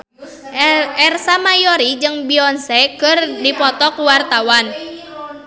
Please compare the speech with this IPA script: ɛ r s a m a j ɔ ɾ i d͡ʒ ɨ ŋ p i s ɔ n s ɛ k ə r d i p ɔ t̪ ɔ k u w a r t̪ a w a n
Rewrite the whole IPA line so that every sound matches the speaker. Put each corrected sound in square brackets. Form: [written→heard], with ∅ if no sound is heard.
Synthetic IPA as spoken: ɛ r s a m a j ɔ ɾ i d͡ʒ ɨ ŋ [p→b] i [s→∅] ɔ n s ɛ k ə r d i p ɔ t̪ ɔ k u w a r t̪ a w a n